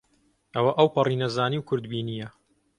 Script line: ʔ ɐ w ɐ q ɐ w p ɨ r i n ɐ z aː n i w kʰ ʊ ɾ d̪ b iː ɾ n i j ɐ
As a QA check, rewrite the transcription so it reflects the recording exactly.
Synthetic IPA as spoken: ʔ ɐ w ɐ ʔ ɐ w p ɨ r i n ɐ z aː n i w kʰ ʊ ɾ d̪ b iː n i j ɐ